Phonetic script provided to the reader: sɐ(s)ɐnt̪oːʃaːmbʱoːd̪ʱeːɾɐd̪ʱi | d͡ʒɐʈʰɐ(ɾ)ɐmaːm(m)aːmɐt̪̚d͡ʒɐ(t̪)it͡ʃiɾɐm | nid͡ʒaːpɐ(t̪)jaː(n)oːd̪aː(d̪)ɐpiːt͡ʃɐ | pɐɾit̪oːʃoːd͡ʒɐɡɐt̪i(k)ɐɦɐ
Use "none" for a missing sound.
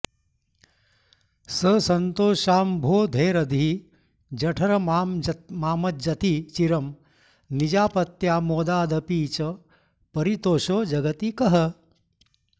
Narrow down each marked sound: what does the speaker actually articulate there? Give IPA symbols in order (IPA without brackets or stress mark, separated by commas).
s, ɾ, m, t̪, t̪, m, d̪, k